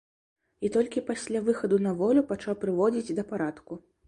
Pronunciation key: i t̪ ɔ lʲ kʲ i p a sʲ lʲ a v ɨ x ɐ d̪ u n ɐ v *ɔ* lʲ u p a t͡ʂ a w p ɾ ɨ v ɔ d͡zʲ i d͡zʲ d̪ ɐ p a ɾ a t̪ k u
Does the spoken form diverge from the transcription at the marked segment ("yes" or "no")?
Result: no